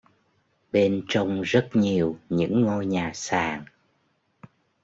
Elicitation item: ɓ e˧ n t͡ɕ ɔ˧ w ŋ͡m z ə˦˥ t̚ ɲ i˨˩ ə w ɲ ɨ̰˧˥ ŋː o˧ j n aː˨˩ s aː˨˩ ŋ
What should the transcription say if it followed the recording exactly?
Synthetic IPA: ɓ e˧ n t͡ɕ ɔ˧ w ŋ͡m z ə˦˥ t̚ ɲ i˨˩ ə w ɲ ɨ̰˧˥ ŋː o˧ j ɲ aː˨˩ s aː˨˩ ŋ